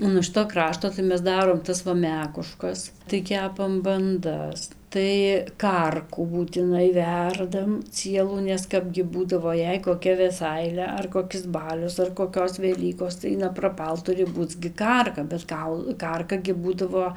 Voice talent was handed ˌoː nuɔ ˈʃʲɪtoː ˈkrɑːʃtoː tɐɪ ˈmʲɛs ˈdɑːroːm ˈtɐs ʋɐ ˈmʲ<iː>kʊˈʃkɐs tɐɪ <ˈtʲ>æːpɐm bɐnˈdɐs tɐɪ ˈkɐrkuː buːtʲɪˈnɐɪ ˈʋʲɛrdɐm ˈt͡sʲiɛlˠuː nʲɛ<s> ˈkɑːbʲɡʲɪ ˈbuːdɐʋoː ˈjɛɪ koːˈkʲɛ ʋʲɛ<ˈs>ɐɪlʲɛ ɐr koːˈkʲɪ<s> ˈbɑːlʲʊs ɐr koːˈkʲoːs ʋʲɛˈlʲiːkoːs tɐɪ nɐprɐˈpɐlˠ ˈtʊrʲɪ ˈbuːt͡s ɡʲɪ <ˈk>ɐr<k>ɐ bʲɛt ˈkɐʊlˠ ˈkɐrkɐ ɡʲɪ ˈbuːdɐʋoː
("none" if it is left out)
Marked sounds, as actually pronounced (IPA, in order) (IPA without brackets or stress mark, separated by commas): æː, kʲ, s, s, s, k, k